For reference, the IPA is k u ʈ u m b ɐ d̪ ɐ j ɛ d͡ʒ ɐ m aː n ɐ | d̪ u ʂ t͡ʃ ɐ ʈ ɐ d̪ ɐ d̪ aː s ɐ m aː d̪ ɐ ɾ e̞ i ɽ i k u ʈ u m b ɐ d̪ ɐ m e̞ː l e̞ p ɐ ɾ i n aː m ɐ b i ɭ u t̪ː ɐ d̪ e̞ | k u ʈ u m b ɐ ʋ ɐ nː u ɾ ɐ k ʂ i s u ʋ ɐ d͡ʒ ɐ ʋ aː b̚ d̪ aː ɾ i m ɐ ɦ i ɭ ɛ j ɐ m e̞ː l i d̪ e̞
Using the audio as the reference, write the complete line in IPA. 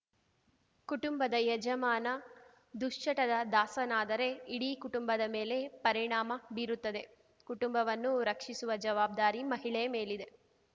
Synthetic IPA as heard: k u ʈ u m b ɐ d̪ ɐ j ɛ d͡ʒ ɐ m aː n ɐ | d̪ u ʂ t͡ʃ ɐ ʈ ɐ d̪ ɐ d̪ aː s ɐ n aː d̪ ɐ ɾ e̞ i ɽ i k u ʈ u m b ɐ d̪ ɐ m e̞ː l e̞ p ɐ ɾ i ɳ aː m ɐ b i ɾ u t̪ː ɐ d̪ e̞ | k u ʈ u m b ɐ ʋ ɐ nː u ɾ ɐ k ʂ i s u ʋ ɐ d͡ʒ ɐ ʋ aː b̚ d̪ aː ɾ i m ɐ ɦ i ɭ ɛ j ɐ m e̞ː l i d̪ e̞

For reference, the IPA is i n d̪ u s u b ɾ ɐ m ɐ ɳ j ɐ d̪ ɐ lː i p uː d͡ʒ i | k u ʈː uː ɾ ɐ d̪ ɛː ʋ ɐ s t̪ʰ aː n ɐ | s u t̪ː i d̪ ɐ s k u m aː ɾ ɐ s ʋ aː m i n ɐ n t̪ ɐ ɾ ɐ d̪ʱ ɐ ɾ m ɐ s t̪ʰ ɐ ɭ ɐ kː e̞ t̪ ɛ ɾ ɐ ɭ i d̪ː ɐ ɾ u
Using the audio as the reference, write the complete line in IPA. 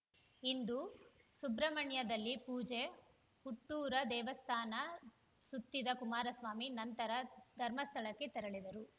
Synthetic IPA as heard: i n d̪ u s u b ɾ ɐ m ɐ ɳ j ɐ d̪ ɐ lː i p uː d͡ʒ e | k u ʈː uː ɾ ɐ d̪ ɛː ʋ ɐ s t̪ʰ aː n ɐ | s u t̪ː i d̪ ɐ k u m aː ɾ ɐ s ʋ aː m i n ɐ n t̪ ɐ ɾ ɐ d̪ʱ ɐ ɾ m ɐ s t̪ʰ ɐ ɭ ɐ kː e̞ t̪ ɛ ɾ ɐ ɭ i d̪ ɐ ɾ u

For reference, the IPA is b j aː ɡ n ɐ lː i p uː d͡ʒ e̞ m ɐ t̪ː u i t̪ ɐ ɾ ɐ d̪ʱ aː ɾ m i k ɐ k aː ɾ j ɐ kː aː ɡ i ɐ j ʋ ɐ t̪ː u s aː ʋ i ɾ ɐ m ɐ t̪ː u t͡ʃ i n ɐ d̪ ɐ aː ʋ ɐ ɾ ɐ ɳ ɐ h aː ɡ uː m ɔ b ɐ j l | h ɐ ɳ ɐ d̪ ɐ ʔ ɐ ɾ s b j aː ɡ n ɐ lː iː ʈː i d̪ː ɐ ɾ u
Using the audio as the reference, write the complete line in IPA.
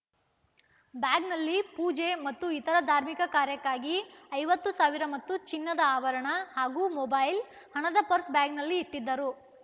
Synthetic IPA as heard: b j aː ɡ n ɐ lː i p uː d͡ʒ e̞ m ɐ t̪ː u i t̪ ɐ ɾ ɐ d̪ʱ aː ɾ m i k ɐ k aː ɾ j ɐ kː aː ɡ i ɐ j ʋ ɐ t̪ː u s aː ʋ i ɾ ɐ m ɐ t̪ː u t͡ʃ i nː ɐ d̪ ɐ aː ʋ ɐ ɾ ɐ ɳ ɐ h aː ɡ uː m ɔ b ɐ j l | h ɐ ɳ ɐ d̪ ɐ p ɐ ɾ s b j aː ɡ n ɐ lː iː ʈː i d̪ː ɐ ɾ u

